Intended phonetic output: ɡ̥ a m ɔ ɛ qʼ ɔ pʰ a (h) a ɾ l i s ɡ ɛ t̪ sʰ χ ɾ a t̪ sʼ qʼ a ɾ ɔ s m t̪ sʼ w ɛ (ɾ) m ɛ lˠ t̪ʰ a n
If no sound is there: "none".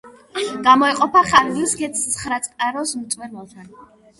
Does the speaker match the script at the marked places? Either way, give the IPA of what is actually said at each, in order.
χ, ɾ

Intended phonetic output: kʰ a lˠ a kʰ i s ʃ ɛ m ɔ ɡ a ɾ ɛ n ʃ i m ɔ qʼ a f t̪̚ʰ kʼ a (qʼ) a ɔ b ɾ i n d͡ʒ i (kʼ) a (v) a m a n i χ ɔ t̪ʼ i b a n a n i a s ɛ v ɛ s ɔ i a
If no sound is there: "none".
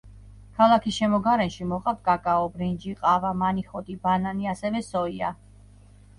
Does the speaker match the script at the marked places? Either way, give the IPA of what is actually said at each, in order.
kʼ, qʼ, v

